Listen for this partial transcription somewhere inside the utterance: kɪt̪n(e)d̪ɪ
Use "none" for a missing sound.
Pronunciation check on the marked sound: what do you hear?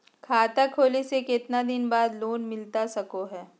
a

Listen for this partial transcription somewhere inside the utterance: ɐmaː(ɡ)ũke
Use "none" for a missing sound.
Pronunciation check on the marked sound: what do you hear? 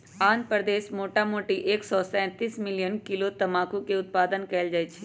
k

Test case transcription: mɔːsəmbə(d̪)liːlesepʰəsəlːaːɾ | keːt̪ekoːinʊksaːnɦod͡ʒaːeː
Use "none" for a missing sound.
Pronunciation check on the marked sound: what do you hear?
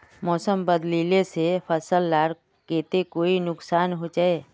d̪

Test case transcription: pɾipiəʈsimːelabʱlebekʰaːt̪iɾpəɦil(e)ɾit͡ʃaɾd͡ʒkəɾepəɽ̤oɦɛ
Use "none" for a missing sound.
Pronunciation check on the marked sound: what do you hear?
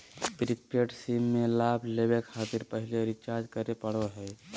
e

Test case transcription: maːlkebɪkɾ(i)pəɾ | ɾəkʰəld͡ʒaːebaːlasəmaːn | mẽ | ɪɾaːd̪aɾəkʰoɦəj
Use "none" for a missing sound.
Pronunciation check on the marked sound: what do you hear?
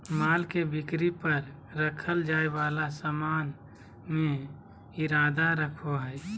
i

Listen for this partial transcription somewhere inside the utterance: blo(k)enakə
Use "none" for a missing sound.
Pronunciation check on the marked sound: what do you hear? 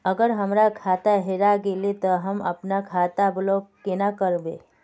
k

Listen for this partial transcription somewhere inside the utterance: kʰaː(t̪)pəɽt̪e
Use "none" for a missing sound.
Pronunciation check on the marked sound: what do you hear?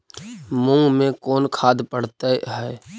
d̪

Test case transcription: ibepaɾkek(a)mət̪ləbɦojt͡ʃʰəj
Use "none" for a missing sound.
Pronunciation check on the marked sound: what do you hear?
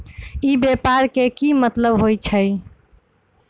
i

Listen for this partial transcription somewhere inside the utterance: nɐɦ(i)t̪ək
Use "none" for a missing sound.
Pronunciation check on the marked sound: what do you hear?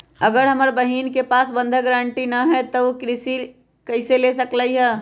ɛ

